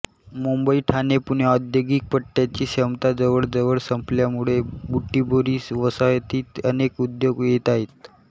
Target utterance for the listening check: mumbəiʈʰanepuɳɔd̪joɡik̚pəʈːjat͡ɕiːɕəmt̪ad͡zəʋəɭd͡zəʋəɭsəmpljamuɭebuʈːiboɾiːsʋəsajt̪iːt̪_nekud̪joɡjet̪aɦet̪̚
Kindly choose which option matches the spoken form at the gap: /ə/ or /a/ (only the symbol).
ə